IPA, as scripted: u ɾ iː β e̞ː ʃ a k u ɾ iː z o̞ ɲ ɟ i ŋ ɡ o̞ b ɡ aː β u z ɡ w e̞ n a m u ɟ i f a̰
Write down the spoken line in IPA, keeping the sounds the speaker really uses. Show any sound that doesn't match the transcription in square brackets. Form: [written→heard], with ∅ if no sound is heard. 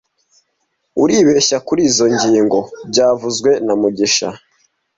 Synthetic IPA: u ɾ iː β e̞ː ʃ a k u ɾ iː z o̞ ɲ ɟ [i→iː] ŋ ɡ o̞ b [ɡ→ɟ] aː [β→v] u z ɡ w e̞ n a m u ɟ i [f→ʃ] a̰